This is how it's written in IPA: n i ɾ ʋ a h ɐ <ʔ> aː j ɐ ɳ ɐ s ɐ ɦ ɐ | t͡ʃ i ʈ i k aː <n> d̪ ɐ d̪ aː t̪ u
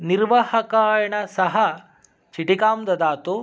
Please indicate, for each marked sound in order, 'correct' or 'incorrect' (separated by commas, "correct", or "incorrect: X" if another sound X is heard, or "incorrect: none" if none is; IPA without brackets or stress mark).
incorrect: k, incorrect: m